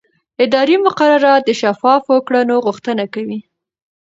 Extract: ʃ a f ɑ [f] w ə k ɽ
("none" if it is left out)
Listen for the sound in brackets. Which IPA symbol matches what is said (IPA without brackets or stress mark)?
f